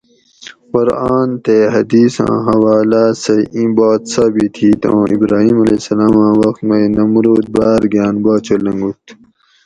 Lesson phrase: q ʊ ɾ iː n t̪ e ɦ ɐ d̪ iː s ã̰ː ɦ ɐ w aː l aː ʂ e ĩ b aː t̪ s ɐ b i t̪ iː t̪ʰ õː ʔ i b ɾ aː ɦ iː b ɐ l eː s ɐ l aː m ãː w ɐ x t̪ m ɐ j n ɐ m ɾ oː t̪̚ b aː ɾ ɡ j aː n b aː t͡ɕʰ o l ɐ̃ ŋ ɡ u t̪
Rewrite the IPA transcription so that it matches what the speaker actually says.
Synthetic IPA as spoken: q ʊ ɾ aː n t̪ e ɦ ɐ d̪ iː s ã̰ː ɦ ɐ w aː l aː s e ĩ b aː t̪ s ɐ b i t̪ʰ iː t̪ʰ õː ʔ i b ɾ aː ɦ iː m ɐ l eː s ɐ l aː m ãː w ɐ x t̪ m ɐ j n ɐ m ɾ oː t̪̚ b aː ɾ ɡ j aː n b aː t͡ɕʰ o l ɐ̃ ŋ ɡ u t̪